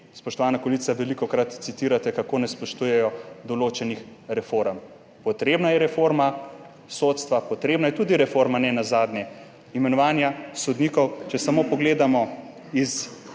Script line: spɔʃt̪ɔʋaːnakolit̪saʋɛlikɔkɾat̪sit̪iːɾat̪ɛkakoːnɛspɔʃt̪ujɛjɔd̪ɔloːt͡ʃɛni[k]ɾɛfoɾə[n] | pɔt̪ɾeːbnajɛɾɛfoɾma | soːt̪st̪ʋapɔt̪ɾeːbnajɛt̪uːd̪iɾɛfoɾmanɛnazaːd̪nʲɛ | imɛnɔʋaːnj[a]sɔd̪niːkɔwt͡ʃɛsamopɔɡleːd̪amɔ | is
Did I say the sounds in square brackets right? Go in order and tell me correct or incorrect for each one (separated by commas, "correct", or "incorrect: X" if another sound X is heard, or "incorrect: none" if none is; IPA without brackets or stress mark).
incorrect: x, incorrect: m, correct